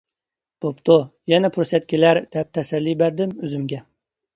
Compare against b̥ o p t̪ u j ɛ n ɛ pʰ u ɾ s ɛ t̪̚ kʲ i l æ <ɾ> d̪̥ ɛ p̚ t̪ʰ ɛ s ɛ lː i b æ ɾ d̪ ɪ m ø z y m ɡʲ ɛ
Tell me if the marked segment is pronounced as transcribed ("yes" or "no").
yes